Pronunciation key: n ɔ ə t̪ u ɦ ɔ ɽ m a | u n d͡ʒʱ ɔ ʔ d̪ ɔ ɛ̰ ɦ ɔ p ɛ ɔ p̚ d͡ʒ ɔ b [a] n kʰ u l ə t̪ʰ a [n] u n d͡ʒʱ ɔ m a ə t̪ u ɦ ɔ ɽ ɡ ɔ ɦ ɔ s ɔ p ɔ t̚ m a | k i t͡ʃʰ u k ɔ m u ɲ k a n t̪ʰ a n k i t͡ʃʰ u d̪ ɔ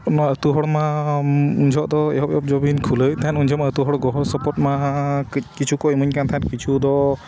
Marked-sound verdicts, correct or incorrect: incorrect, correct

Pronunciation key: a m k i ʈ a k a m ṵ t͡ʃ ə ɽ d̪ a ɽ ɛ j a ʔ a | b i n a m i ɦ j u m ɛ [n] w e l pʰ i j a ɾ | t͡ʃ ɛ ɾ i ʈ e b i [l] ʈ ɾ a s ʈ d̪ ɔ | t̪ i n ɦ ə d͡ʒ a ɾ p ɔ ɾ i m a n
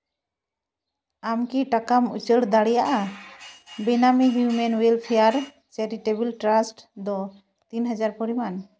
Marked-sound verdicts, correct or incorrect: correct, correct

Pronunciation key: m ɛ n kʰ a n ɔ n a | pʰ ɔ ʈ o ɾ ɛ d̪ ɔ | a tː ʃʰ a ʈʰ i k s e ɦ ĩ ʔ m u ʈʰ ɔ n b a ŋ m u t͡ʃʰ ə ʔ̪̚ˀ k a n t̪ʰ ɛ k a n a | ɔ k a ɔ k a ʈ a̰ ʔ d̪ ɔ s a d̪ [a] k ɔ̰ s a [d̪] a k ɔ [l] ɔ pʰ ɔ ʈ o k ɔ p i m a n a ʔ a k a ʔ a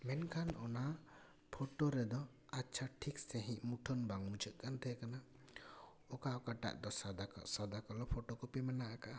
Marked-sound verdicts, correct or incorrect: correct, correct, correct

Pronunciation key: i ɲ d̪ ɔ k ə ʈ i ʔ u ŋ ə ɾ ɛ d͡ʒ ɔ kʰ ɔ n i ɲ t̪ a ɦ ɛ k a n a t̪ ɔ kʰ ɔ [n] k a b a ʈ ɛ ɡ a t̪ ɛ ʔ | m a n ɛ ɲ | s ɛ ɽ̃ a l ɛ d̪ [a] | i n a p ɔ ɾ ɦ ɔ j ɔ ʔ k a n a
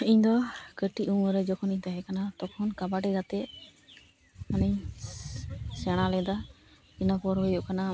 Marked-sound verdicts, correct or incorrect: correct, correct

